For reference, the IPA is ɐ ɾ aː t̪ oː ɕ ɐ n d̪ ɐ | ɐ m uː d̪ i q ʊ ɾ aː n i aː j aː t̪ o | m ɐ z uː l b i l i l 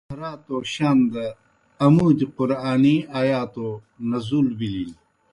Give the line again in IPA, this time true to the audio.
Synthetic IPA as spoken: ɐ ɾ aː t̪ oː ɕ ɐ n d̪ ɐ | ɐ m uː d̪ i q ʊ ɾ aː n i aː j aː t̪ o | n ɐ z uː l b i l i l